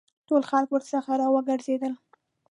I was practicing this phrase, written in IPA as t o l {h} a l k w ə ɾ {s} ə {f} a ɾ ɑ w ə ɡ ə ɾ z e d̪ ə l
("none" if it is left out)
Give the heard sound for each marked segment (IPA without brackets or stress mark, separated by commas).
x, s, x